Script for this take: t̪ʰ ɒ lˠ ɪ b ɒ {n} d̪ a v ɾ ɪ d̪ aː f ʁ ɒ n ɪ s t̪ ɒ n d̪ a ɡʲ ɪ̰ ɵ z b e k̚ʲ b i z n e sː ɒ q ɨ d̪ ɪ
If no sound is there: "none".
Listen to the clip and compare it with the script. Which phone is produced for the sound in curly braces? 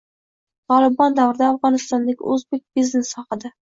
n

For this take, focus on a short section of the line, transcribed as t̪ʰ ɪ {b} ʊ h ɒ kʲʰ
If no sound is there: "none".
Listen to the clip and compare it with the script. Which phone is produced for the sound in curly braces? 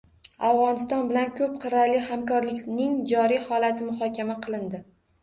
m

